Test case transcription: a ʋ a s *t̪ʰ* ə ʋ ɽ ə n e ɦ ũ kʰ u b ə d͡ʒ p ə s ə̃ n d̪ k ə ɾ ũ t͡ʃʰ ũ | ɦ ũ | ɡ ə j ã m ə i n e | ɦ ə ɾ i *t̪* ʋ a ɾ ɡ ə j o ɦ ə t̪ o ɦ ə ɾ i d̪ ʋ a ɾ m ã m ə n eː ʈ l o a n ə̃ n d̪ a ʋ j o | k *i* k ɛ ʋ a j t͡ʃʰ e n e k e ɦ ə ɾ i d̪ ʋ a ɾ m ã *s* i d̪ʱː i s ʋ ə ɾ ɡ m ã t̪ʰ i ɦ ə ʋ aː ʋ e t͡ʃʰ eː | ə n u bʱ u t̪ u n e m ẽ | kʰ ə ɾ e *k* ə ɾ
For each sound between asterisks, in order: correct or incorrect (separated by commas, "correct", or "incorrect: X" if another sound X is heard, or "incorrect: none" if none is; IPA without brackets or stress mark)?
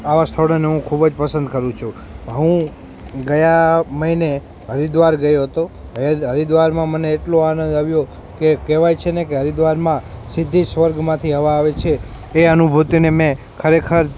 correct, incorrect: d̪, incorrect: e, correct, incorrect: kʰ